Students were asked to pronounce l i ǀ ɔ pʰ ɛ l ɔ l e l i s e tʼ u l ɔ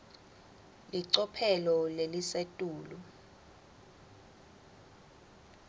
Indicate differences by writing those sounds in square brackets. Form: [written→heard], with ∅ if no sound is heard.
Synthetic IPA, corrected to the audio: l i ǀ ɔ pʰ ɛ l ɔ l e l i s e tʼ [u→uː] l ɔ